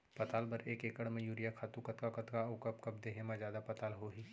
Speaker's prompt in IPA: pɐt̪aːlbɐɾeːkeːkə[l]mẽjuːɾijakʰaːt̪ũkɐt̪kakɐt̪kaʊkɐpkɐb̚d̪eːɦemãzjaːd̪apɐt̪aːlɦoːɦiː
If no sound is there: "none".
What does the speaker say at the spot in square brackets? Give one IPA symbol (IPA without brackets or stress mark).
ɽ